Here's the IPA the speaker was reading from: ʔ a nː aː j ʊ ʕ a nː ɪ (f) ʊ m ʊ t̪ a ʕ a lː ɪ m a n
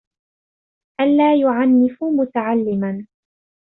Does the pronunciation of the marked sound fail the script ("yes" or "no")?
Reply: no